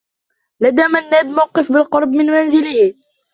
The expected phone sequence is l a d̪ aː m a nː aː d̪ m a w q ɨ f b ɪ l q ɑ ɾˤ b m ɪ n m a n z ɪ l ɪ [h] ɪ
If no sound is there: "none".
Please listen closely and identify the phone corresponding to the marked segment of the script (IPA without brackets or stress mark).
h